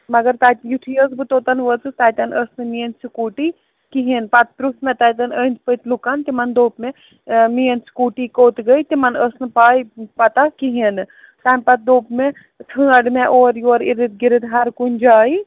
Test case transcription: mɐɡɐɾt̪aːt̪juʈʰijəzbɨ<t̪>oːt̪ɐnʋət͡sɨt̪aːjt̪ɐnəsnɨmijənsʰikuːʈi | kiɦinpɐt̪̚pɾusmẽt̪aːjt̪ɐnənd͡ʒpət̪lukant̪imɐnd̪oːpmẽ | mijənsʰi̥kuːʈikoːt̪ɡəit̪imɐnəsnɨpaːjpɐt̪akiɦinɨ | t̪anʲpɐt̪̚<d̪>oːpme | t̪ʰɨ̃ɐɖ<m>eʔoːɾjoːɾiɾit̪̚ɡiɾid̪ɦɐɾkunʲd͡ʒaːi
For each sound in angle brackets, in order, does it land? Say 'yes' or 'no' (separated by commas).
yes, yes, yes